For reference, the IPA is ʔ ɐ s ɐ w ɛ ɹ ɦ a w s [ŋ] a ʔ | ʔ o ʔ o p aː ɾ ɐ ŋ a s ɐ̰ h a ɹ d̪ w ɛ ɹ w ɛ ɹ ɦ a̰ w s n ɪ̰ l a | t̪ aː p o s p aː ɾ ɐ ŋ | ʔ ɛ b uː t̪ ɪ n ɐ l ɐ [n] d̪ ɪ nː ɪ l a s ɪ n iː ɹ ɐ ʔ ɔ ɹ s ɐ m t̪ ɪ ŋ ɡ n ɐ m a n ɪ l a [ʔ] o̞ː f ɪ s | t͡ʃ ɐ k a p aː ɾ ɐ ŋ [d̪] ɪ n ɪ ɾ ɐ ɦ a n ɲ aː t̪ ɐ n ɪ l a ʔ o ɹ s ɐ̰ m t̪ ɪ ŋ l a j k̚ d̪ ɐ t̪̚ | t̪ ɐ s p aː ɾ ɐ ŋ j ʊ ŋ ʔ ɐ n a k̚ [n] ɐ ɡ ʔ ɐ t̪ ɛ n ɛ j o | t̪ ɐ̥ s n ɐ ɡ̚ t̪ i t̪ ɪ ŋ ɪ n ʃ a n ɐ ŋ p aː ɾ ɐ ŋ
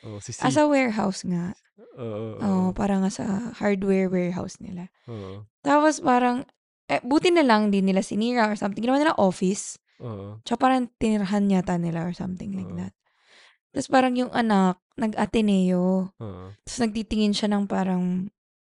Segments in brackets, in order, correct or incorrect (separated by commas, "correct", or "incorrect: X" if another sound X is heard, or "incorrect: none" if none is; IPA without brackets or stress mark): correct, incorrect: ŋ, correct, incorrect: t̪, correct